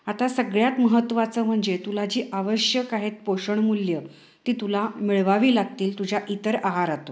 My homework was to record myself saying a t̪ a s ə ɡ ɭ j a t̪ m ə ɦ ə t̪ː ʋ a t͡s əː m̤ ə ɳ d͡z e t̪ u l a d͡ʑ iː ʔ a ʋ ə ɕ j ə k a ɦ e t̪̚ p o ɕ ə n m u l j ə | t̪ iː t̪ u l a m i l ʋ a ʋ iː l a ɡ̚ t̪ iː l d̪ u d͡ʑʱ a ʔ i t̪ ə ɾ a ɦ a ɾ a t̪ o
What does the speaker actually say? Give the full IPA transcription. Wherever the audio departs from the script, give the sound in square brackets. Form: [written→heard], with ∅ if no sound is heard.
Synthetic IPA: a t̪ a s ə ɡ ɭ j a t̪ m ə ɦ ə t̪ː ʋ a t͡s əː m̤ ə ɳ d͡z e t̪ u l a d͡ʑ iː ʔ a ʋ ə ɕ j ə k a ɦ e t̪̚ p o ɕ ə [n→ɳ] m u l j ə | t̪ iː t̪ u l a m i [l→ɭ] ʋ a ʋ iː l a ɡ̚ t̪ iː l [d̪→t̪] u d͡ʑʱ a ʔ i t̪ ə ɾ a ɦ a ɾ a t̪ o